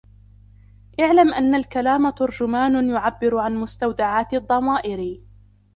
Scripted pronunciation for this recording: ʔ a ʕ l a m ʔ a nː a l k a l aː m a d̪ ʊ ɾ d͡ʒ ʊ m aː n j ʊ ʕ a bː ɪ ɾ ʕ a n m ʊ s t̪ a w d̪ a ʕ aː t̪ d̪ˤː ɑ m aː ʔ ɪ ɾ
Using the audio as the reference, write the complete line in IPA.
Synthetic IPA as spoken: ʔ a ʕ l a m ʔ a nː a l k a l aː m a t̪ ʊ ɾ d͡ʒ ʊ m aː n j ʊ ʕ a bː ɪ ɾ ʕ a n m ʊ s t̪ a w d̪ a ʕ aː t̪ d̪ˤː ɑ m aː ʔ ɪ ɾ